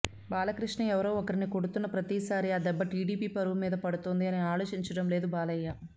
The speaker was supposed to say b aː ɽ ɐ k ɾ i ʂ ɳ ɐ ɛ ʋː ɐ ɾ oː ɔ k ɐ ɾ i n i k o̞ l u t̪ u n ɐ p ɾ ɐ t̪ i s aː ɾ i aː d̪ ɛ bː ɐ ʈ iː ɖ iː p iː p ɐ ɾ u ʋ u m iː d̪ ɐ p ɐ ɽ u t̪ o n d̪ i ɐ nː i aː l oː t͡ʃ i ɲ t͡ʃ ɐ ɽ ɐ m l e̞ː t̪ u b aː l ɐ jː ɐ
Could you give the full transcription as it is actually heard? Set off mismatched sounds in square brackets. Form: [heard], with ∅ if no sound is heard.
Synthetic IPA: b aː [l] ɐ k ɾ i ʂ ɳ ɐ ɛ [ʋ] ɐ ɾ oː ɔ k ɐ ɾ i n i k o̞ [ɽ] u t̪ u [nː] ɐ p ɾ ɐ t̪ i s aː ɾ i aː d̪ ɛ bː ɐ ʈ iː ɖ iː p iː p ɐ ɾ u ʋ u m iː d̪ ɐ p ɐ ɽ u t̪ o n d̪ i ɐ [n] i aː l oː t͡ʃ i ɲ t͡ʃ ɐ ɽ ɐ m l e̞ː [d̪] u b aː l ɐ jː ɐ